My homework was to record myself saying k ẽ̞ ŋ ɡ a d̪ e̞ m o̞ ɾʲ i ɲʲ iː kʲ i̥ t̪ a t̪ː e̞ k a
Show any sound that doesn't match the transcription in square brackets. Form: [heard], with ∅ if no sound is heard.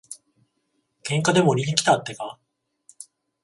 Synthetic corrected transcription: k ẽ̞ ŋ [k] a d̪ e̞ m o̞ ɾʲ i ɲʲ [i] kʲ i̥ t̪ a t̪ː e̞ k a